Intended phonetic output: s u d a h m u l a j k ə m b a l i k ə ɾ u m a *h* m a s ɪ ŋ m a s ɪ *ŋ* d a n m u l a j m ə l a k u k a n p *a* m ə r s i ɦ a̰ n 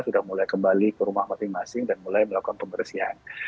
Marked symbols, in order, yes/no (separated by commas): yes, yes, no